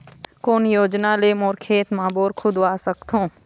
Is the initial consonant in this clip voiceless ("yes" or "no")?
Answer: yes